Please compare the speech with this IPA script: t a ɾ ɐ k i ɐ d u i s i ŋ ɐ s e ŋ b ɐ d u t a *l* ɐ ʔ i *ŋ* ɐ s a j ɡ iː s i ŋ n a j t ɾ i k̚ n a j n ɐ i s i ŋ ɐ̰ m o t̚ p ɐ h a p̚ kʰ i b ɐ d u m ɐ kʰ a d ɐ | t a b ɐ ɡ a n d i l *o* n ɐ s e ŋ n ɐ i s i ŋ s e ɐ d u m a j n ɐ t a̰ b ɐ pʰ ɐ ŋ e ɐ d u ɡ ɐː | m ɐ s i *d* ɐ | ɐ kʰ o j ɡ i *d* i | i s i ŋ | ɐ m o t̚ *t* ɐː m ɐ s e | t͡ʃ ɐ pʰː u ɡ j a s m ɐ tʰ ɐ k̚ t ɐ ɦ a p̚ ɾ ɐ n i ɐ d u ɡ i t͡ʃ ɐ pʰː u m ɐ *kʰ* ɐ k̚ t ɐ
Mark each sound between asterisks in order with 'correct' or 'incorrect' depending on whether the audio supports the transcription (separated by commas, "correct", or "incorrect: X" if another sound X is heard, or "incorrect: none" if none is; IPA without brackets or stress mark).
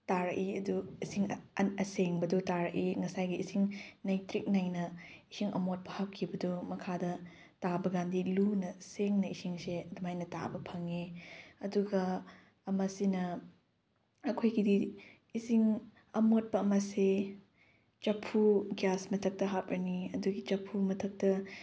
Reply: incorrect: ɾ, correct, incorrect: u, incorrect: n, correct, incorrect: p, incorrect: tʰ